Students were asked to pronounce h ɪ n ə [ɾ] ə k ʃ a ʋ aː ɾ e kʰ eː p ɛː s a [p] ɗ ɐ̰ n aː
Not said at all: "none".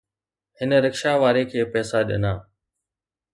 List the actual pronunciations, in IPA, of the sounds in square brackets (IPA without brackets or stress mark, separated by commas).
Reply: ɾ, none